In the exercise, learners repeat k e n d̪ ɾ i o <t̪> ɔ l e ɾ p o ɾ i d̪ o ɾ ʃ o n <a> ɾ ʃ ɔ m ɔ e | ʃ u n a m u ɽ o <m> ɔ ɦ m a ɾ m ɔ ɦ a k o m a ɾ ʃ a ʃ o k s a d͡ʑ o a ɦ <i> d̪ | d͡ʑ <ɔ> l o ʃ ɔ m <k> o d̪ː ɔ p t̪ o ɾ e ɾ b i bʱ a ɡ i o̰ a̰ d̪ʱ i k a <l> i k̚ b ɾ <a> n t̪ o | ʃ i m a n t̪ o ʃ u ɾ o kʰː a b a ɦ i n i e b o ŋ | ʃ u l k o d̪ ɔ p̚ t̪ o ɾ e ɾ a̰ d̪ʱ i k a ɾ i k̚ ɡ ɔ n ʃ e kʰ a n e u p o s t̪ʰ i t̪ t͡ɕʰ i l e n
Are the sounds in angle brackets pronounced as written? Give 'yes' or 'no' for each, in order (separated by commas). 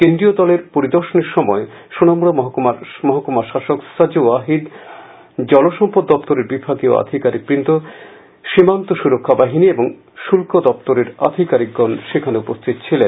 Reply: no, no, yes, yes, yes, no, no, no